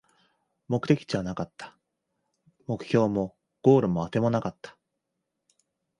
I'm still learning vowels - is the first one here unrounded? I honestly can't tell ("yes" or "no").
no